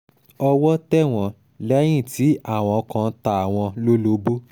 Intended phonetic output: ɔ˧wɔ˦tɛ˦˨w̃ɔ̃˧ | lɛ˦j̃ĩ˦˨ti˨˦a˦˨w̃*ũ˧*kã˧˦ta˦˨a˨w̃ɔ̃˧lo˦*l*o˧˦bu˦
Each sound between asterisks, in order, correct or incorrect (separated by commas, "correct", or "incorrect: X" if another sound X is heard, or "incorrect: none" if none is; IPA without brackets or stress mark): incorrect: ɔ̃˧, correct